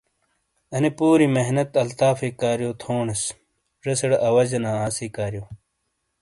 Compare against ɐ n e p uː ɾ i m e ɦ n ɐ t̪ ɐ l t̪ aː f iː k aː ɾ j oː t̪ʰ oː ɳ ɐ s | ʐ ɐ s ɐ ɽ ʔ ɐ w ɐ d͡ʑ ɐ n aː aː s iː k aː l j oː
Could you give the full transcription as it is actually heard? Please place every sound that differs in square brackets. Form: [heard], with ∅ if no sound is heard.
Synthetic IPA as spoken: ɐ n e p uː ɾ i m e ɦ n ɐ t̪ ɐ l t̪ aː f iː k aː ɾ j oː t̪ʰ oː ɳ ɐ s | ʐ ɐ s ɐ ɽ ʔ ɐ w ɐ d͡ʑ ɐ n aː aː s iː k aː [ɾ] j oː